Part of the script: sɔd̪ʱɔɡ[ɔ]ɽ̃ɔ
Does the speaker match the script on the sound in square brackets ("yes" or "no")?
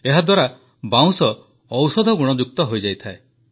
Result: no